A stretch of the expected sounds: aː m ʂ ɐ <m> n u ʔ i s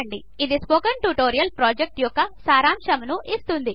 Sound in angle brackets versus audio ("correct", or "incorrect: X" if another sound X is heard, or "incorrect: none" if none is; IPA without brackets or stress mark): correct